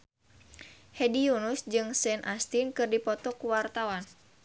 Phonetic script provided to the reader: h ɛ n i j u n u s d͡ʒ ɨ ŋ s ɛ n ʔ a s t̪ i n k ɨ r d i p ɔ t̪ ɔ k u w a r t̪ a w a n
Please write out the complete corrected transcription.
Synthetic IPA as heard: h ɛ d i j u n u s d͡ʒ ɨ ŋ s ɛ n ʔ a s t̪ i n k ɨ r d i p ɔ t̪ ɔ k u w a r t̪ a w a n